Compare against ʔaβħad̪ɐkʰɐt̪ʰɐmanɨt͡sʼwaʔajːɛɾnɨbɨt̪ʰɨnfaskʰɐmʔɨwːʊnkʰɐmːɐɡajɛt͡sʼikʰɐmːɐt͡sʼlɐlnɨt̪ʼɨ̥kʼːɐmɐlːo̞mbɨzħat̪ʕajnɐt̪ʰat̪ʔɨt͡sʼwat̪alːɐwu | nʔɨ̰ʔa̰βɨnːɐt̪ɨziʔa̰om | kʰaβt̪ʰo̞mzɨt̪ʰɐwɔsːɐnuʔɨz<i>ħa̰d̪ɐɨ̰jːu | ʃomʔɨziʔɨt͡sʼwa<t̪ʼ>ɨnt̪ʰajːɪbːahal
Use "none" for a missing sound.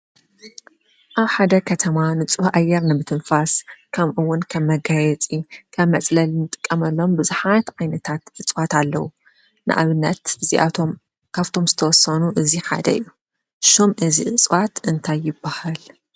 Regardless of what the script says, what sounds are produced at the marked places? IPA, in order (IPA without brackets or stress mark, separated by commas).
i, t̪